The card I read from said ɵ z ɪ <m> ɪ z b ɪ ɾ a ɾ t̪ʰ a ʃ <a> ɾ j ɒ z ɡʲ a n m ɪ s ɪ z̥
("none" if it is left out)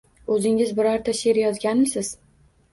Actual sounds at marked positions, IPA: ŋ, e

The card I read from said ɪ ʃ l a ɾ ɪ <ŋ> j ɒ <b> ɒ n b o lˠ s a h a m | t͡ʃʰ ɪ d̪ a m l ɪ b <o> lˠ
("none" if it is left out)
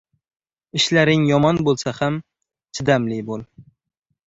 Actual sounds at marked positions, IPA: ŋ, m, o

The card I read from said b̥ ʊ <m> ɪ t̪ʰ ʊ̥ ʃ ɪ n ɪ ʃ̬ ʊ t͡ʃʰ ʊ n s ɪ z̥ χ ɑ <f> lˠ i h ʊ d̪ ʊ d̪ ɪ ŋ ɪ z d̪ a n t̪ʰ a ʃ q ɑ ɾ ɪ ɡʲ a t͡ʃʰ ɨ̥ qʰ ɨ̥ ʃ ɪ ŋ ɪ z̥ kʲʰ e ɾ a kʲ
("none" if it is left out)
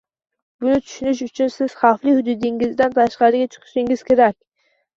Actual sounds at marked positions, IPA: n, f

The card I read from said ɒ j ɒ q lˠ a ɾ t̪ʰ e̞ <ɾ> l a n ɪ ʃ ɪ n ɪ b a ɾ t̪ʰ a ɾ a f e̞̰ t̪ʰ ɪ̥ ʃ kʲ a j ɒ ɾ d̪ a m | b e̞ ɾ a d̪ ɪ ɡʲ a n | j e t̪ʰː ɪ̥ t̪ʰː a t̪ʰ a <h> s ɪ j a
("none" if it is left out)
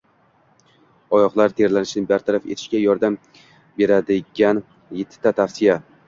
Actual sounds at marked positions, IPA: ɾ, f

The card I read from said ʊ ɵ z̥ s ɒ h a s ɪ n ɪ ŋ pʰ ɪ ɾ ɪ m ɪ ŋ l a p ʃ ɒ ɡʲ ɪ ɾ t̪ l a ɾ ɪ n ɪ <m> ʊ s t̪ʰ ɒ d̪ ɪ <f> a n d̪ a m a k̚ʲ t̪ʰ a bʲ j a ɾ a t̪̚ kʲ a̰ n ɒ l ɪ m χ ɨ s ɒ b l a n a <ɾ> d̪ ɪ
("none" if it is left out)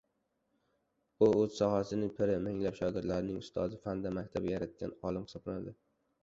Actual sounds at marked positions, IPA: ŋ, f, none

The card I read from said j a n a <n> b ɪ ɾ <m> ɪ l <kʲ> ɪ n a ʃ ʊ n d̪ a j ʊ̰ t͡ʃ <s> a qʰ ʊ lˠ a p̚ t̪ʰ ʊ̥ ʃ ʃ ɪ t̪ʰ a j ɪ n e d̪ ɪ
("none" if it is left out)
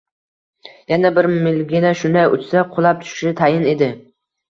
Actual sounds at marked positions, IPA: none, m, ɡʲ, s

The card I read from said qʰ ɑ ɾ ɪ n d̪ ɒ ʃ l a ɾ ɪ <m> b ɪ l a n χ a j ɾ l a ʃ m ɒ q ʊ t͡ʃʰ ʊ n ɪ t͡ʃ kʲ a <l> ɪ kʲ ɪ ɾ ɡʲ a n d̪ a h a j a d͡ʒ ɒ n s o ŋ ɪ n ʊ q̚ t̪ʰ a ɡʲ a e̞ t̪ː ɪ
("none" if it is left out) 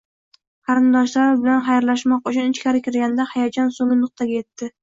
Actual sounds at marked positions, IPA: none, ɾ

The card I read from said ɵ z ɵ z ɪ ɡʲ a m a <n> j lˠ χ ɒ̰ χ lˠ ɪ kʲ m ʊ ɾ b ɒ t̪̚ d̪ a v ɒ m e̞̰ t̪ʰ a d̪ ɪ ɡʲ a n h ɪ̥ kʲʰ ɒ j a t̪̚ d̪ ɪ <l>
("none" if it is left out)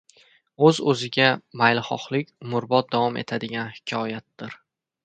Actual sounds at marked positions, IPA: none, ɾ

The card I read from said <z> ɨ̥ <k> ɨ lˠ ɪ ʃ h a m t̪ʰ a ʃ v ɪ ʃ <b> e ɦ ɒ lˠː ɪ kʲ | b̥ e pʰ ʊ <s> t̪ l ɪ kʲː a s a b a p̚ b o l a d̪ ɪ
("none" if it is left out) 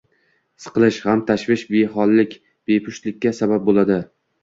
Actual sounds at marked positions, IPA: s, q, b, ʃ

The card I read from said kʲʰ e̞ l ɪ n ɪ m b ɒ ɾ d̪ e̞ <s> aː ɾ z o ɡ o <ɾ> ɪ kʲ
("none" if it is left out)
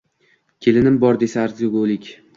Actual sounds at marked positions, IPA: s, l

